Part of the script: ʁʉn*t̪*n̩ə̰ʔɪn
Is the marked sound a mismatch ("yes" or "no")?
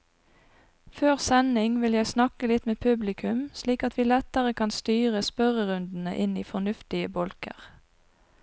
yes